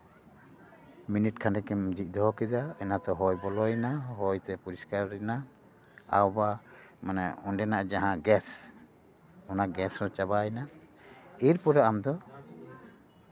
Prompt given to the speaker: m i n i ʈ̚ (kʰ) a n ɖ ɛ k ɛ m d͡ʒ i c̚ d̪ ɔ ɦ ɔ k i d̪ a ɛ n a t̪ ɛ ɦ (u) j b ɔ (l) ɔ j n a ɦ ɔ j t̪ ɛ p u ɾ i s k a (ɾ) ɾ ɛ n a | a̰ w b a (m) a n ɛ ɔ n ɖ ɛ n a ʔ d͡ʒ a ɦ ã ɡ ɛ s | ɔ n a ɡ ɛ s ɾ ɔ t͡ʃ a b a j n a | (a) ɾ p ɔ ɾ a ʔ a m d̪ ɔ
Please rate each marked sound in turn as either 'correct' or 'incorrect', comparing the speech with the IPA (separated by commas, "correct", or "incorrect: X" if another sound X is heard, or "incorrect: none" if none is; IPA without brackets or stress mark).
correct, incorrect: ɔ, correct, correct, correct, incorrect: i